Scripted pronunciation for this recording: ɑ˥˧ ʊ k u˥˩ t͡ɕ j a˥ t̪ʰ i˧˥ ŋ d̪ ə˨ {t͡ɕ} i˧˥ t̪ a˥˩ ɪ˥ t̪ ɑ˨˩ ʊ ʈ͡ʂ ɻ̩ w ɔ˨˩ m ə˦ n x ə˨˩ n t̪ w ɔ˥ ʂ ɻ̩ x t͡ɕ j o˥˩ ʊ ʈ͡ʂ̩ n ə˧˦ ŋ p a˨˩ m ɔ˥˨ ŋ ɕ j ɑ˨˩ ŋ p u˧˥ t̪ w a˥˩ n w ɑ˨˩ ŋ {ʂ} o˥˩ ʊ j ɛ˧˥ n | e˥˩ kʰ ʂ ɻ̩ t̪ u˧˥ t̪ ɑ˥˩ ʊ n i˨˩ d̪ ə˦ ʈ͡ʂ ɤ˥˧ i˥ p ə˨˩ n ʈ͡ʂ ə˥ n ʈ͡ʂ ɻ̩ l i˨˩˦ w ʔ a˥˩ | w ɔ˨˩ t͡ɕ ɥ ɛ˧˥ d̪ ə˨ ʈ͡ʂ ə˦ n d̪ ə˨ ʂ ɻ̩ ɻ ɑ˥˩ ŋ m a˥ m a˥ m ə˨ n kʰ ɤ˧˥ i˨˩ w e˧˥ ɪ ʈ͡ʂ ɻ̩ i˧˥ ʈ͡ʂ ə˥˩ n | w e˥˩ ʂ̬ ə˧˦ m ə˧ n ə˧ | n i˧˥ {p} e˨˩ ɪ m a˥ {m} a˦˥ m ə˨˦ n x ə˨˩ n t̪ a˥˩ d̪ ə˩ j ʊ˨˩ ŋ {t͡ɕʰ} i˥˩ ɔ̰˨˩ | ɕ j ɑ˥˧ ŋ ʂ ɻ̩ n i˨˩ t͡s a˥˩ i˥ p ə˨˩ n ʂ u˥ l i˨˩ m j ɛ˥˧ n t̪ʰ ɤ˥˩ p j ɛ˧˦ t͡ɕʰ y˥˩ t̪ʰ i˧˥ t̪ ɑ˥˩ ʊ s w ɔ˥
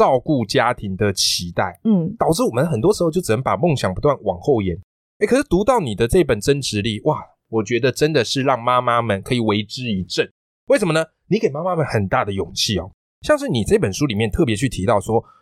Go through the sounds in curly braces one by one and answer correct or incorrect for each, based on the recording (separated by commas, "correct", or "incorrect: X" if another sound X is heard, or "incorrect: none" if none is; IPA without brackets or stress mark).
incorrect: t͡ɕʰ, incorrect: x, incorrect: k, correct, correct